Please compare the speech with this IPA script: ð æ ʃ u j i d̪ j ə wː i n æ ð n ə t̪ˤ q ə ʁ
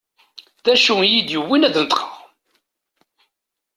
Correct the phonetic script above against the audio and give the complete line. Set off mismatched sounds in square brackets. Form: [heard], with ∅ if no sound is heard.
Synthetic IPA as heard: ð æ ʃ u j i d̪ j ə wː i n æ ð n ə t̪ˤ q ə ʁ